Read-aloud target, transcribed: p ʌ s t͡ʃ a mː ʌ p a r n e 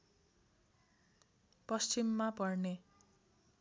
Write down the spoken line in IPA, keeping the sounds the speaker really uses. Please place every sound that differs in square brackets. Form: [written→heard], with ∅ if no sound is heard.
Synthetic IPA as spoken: p ʌ s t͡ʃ [a→i] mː [ʌ→a] p [a→ʌ] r n e